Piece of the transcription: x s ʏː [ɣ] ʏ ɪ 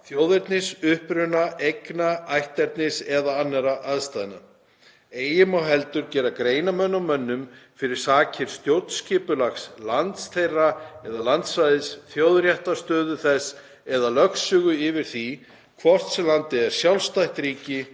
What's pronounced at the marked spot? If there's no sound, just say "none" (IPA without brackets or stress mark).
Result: ɣ